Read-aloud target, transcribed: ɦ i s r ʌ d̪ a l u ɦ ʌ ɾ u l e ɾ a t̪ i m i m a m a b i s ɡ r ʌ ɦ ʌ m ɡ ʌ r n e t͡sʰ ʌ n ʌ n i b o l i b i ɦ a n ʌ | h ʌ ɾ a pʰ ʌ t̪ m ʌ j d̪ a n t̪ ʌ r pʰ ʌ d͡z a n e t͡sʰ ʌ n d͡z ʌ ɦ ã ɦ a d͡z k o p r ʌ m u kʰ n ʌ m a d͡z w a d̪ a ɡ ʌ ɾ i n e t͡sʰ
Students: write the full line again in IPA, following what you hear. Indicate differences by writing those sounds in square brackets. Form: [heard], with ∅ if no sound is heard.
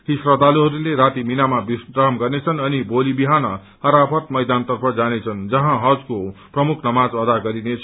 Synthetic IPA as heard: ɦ i s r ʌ d̪ a l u ɦ ʌ ɾ u l e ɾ a t̪ i m i [n] a m a b i s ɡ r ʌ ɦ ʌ m ɡ ʌ r n e t͡sʰ ʌ n ʌ n i b o l i b i ɦ a n ʌ | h ʌ ɾ a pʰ ʌ t̪ m ʌ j d̪ a n t̪ ʌ r pʰ ʌ d͡z a n e t͡sʰ ʌ n d͡z ʌ ɦ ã ɦ [ʌ] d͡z k o p r ʌ m u kʰ n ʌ m a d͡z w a d̪ a ɡ ʌ ɾ i n e t͡sʰ